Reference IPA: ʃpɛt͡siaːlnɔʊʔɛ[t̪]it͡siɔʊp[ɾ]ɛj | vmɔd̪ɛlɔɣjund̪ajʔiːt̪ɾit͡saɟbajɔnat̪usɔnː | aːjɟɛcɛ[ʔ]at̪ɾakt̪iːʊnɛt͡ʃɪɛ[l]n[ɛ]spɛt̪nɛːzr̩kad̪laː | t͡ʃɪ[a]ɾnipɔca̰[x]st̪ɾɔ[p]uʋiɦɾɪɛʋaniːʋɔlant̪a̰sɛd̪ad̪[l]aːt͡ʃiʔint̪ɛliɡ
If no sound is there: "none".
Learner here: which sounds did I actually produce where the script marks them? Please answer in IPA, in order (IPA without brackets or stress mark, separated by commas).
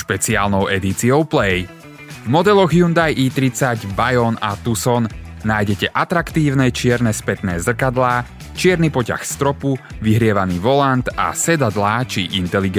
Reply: d̪, l, ʔ, ɾ, ɛ, ɛ, x, p, l